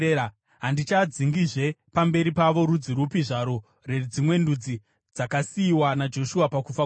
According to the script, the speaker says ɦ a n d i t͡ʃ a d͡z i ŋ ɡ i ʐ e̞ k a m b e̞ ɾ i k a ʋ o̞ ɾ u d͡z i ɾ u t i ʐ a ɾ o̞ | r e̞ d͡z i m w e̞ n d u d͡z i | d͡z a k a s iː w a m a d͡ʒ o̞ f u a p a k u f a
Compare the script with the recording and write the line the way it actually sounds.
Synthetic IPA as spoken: ɦ a n d i t͡ʃ a d͡z i ŋ ɡ i ʐ e̞ p a m b e̞ ɾ i p a ʋ o̞ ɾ u d͡z i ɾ u p i ʐ a ɾ o̞ | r e̞ d͡z i m w e̞ n d u d͡z i | d͡z a k a s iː w a n a d͡ʒ o̞ ʃ u a p a k u f a